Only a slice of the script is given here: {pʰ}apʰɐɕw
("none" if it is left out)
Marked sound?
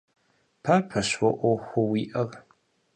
pʰ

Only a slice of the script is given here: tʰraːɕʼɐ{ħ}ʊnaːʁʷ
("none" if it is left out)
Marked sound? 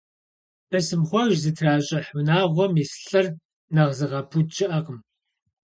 ħ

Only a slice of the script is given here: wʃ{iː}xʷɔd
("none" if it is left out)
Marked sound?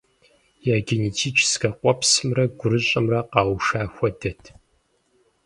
aː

